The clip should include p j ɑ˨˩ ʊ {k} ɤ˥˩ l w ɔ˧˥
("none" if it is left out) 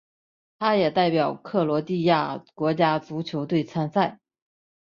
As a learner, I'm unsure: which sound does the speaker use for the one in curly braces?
kʰ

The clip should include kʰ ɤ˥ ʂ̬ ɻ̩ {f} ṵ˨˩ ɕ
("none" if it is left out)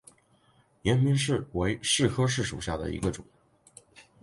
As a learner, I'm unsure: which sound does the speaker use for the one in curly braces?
ʂ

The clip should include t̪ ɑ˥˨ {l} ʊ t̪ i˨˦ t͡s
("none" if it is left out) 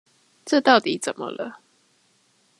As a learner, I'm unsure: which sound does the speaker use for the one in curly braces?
none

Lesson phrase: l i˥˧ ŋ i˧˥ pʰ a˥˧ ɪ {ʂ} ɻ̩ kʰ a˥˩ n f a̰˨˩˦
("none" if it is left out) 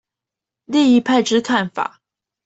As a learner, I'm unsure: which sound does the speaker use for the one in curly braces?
ʈ͡ʂ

